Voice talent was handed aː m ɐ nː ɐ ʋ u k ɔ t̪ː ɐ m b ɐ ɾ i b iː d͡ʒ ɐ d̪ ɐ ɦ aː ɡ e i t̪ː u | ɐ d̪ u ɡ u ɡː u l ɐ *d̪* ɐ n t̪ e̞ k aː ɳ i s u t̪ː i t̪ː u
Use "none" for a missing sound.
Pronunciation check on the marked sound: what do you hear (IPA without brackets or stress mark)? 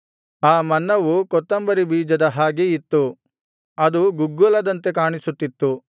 d̪